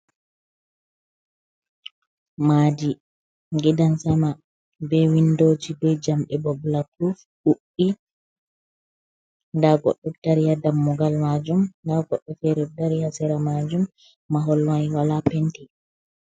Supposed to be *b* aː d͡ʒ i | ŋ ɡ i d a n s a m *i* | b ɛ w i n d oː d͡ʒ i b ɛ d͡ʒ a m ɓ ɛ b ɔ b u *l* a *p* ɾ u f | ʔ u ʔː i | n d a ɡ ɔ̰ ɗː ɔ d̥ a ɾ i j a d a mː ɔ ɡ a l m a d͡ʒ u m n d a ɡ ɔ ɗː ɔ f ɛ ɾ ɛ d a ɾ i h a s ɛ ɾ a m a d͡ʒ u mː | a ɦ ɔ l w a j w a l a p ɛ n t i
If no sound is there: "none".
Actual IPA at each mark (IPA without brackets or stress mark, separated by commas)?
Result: m, a, l, k